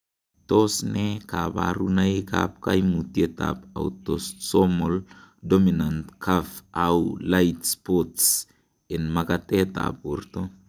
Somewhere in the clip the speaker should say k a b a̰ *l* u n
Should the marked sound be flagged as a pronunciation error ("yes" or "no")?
yes